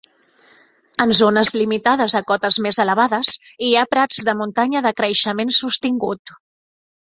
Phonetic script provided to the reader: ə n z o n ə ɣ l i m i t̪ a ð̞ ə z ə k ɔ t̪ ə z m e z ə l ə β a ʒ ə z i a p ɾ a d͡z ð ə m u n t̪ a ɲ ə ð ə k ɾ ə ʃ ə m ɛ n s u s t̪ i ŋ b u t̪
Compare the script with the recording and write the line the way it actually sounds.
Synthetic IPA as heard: ə n z o n ə z l i m i t̪ a ð̞ ə z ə k ɔ t̪ ə z m e z ə l ə β a ð ə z i a p ɾ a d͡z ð ə m u n t̪ a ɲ ə ð ə k ɾ ə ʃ ə m e n s u s t̪ i ŋ ɡ u t̪